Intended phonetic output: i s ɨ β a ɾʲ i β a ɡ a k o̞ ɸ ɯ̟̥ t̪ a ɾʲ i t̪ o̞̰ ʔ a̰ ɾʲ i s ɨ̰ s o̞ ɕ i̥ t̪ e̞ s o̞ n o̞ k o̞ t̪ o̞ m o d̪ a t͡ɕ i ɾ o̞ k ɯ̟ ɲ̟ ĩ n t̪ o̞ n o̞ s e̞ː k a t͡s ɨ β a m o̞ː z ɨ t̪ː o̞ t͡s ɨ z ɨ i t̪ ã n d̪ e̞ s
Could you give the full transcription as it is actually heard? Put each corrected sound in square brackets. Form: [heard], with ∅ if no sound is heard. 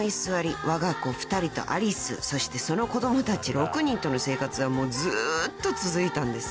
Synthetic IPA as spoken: i s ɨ β a ɾʲ i β a ɡ a k o̞ ɸ ɯ̟̥ t̪ a ɾʲ i t̪ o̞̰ ʔ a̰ ɾʲ i s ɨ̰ s o̞ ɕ i̥ t̪ e̞ s o̞ n o̞ k o̞ [d̪] o̞ m o [t̪] a t͡ɕ i ɾ o̞ k ɯ̟ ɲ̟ ĩ n t̪ o̞ n o̞ s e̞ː k a t͡s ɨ β a m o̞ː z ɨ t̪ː o̞ t͡s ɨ z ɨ i t̪ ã n d̪ e̞ s